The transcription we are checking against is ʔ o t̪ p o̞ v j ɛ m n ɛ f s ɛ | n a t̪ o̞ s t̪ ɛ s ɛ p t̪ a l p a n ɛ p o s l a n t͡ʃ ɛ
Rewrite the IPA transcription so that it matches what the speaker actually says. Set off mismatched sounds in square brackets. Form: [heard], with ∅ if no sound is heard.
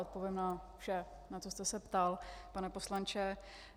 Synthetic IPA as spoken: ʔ o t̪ p o̞ v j ɛ m n [a] f [ʃ] ɛ | n a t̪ o̞ s t̪ ɛ s ɛ p t̪ a l p a n ɛ p o s l a n t͡ʃ ɛ